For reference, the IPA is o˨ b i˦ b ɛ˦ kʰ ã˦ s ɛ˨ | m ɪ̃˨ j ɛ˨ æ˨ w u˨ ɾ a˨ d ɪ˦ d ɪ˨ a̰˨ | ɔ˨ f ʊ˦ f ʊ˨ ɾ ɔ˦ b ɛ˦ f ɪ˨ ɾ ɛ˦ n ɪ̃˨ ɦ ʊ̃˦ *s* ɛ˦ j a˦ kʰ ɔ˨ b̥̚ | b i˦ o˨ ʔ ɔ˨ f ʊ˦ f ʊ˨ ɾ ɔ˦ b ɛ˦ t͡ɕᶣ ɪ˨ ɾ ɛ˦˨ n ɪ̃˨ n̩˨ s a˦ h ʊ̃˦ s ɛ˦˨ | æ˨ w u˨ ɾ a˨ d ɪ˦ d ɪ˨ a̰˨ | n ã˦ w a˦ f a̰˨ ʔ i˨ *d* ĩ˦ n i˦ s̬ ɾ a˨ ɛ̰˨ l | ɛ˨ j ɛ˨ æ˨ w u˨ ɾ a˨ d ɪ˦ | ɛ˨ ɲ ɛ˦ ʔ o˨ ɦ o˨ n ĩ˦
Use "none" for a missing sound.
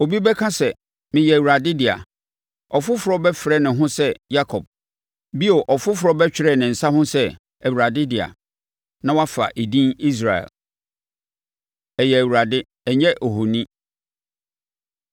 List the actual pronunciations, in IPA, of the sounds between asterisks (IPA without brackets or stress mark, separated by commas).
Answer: s, d